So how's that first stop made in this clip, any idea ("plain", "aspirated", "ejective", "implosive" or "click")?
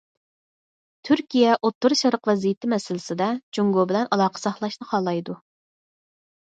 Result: aspirated